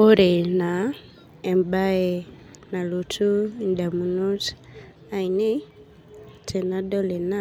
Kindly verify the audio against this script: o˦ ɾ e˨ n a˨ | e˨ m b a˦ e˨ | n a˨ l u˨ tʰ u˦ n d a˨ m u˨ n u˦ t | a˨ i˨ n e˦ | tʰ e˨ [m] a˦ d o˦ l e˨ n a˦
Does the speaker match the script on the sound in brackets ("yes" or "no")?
no